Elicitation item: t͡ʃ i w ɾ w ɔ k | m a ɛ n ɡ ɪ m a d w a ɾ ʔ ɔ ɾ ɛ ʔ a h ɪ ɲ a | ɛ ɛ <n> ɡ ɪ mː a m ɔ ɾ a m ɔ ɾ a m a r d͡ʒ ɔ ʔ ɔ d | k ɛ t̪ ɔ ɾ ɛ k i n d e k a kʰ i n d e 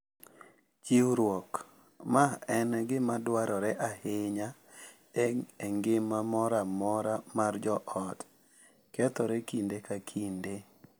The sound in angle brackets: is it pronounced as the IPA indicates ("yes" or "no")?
no